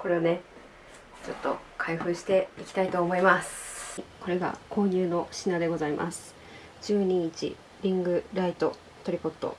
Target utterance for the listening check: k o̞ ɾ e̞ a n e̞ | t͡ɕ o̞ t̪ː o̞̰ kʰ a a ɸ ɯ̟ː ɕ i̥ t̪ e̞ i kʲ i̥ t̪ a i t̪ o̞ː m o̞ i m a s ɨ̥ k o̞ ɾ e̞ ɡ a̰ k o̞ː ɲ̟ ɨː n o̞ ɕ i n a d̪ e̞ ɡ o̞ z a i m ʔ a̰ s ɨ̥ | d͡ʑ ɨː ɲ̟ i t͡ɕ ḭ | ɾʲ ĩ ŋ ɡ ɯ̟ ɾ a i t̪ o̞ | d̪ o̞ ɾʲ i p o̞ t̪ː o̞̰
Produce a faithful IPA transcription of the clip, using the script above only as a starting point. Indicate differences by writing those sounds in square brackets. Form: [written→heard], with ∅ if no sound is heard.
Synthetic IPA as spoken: k o̞ ɾ e̞ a n e̞ | t͡ɕ o̞ t̪ː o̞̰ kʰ a [a→i] ɸ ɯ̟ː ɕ i̥ t̪ e̞ i kʲ i̥ t̪ a i t̪ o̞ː m o̞ i m a s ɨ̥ k o̞ ɾ e̞ ɡ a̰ k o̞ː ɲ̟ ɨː n o̞ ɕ i n a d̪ e̞ ɡ o̞ z a i m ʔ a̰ s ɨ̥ | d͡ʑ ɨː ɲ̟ i t͡ɕ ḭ | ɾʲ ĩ ŋ ɡ ɯ̟ ɾ a i t̪ o̞ | [d̪→t̪] o̞ ɾʲ i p o̞ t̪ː o̞̰